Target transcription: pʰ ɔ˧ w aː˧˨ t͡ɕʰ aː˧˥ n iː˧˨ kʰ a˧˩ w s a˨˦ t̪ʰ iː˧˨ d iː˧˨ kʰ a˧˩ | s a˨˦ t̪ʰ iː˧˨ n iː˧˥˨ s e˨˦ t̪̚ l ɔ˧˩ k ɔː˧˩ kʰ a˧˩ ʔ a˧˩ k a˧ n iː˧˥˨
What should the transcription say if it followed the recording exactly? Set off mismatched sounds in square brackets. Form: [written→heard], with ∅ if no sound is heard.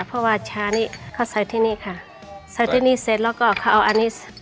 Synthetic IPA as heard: pʰ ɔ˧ w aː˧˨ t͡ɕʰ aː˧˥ n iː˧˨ kʰ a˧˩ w s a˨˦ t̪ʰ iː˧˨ [d→n] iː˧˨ kʰ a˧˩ | s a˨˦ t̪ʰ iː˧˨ n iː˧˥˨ s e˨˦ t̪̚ l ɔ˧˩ k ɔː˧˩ kʰ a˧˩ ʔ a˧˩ [k→ʔ] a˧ n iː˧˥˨